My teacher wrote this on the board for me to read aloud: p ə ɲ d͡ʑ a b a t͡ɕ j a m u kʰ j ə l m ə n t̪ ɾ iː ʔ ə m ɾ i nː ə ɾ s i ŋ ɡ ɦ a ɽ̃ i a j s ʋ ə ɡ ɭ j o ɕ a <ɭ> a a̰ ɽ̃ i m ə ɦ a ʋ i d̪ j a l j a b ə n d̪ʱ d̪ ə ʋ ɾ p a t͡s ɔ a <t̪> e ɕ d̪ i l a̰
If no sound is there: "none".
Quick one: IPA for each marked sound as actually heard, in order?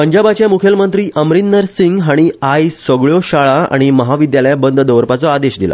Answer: ɭ, d̪

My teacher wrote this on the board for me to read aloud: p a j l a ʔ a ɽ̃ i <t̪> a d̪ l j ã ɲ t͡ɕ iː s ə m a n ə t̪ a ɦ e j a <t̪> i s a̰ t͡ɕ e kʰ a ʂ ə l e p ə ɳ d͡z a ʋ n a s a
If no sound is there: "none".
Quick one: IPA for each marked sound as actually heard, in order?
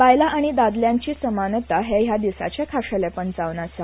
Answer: d̪, d̪

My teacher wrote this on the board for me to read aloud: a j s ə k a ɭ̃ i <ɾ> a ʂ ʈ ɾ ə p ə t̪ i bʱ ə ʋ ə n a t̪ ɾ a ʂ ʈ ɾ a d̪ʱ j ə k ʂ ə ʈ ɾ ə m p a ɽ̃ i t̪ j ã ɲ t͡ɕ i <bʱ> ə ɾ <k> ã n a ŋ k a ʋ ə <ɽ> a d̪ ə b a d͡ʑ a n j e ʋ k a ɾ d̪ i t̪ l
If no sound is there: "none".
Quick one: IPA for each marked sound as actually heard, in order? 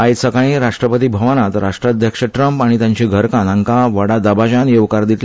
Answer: ɾ, ɡʱ, k, ɽ

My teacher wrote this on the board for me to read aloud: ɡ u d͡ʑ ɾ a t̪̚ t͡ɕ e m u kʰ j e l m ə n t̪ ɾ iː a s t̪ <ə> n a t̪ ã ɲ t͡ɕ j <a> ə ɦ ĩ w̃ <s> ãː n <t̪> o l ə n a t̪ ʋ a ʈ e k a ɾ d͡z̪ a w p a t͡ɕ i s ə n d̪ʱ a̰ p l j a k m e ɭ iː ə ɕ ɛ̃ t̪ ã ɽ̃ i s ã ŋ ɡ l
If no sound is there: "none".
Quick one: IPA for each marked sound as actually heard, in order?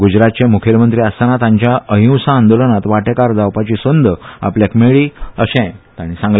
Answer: a, a, s, d̪

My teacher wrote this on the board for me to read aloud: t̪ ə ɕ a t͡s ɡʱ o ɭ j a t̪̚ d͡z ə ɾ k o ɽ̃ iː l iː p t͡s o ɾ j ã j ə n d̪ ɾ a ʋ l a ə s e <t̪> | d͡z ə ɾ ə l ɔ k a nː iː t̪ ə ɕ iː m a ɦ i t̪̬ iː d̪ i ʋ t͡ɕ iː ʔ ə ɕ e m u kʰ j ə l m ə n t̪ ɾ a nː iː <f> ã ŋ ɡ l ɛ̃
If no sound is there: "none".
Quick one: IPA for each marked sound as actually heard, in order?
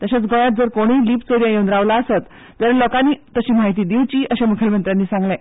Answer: t̪, s

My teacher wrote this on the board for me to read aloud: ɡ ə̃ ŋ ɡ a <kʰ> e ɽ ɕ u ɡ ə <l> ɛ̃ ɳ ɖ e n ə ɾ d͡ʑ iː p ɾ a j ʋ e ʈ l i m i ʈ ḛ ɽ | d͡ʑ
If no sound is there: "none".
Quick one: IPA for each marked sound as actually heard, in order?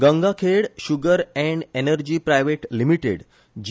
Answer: kʰ, ɾ

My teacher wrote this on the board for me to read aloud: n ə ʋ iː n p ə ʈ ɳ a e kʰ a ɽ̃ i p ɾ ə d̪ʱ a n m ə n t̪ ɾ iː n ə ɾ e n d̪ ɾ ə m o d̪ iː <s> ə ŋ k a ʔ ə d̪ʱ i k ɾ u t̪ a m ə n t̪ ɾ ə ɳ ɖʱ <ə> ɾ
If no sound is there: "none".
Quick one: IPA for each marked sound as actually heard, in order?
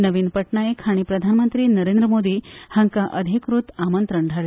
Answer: h, a

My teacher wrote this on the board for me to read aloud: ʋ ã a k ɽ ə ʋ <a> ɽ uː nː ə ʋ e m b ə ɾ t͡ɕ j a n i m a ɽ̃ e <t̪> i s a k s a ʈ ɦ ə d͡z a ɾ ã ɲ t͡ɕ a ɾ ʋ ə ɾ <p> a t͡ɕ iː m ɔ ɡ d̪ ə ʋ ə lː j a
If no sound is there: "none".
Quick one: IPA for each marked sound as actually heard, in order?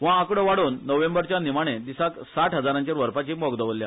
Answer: a, d̪, p

